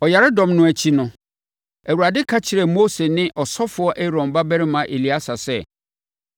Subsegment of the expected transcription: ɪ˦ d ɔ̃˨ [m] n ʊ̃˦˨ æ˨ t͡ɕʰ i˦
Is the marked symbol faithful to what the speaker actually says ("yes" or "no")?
yes